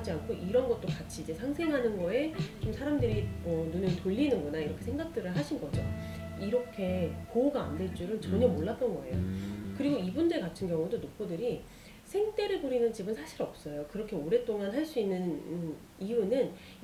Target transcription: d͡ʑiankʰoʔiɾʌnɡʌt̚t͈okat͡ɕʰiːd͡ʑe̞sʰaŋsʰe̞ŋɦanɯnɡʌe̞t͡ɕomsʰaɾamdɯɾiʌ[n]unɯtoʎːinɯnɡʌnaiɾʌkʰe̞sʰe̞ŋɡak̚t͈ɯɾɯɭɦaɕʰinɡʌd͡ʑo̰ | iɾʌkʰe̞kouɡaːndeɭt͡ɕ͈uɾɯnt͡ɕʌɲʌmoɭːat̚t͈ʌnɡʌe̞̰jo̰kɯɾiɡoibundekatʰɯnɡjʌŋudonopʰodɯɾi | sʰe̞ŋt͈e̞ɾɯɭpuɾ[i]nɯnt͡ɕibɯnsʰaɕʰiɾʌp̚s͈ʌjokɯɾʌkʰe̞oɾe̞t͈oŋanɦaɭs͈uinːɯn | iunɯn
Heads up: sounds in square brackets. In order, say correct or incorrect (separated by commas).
correct, correct